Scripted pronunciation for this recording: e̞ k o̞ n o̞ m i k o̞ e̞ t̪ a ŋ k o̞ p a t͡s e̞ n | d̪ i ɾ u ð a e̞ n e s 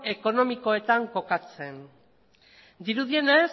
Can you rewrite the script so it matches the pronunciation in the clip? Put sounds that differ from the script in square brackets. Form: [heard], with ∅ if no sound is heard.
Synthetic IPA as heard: e̞ k o̞ n o̞ m i k o̞ e̞ t̪ a ŋ k o̞ [k] a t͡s e̞ n | d̪ i ɾ u ð [i] e̞ n e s

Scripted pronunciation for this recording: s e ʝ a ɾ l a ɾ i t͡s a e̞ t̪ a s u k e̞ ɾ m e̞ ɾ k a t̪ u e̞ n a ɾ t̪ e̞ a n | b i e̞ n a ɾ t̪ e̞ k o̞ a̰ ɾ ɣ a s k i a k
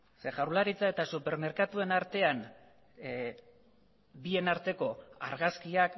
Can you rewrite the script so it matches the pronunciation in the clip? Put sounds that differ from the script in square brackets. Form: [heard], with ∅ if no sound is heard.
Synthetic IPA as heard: s e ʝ a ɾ l a ɾ i t͡s a e̞ t̪ a s u [p] e̞ ɾ m e̞ ɾ k a t̪ u e̞ n a ɾ t̪ e̞ a n | b i e̞ n a ɾ t̪ e̞ k o̞ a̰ ɾ ɣ a s k i a k

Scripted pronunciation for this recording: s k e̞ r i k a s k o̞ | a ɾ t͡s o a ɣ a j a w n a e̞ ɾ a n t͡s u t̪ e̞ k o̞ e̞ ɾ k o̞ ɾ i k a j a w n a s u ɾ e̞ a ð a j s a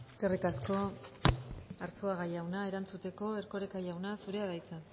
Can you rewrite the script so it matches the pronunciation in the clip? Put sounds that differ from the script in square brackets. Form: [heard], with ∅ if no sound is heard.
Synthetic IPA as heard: s k e̞ r i k a s k o̞ | a ɾ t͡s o a ɣ a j a w n a e̞ ɾ a n t͡s u t̪ e̞ k o̞ e̞ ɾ k o̞ ɾ [e] k a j a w n a s u ɾ e̞ a ð a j [t͡s] a

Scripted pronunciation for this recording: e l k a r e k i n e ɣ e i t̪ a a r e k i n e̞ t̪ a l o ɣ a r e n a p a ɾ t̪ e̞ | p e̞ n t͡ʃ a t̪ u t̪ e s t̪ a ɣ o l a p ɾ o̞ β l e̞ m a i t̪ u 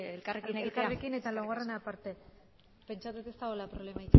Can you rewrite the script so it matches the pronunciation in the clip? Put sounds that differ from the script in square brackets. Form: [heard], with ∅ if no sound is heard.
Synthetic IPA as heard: e l k a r e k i n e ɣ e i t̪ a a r e k i n e̞ t̪ a l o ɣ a r e n a p a ɾ t̪ e̞ | p e̞ n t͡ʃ a t̪ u t̪ e s t̪ a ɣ o l a p ɾ o̞ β l e̞ m a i t̪ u

